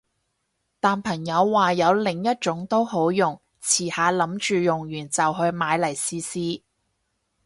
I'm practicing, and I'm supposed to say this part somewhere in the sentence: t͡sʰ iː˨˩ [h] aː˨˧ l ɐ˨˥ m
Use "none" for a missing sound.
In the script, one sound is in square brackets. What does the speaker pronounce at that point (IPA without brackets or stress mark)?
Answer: h